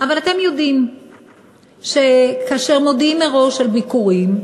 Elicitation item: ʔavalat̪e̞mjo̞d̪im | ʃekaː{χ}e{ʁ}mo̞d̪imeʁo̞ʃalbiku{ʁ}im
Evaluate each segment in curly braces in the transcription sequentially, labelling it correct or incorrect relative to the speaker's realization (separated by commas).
incorrect, correct, correct